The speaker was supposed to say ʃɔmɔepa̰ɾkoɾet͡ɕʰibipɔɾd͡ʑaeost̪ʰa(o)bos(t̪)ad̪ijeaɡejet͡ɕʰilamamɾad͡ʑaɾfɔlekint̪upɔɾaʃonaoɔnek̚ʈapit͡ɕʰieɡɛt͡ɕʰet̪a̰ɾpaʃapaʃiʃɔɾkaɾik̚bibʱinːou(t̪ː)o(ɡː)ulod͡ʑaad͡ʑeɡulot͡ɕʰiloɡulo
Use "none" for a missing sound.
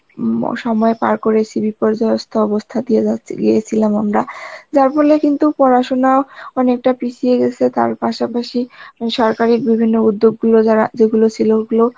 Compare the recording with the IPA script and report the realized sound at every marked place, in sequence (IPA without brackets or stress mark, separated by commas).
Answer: ɔ, t̪ʰ, d̪ː, ɡː